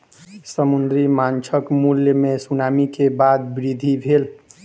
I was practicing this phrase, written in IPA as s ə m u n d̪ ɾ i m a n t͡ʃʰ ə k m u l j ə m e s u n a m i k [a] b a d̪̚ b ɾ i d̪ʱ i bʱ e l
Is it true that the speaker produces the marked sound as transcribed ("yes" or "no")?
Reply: no